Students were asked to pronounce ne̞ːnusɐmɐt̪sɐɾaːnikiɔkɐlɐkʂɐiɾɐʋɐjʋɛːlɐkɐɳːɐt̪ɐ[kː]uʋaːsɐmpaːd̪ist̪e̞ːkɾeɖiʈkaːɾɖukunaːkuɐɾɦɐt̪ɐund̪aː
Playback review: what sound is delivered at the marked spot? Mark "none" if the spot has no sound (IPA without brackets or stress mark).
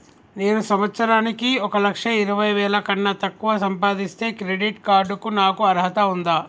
kː